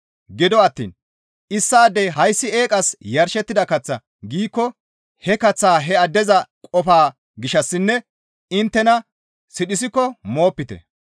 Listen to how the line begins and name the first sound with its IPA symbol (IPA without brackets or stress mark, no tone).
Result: ɡ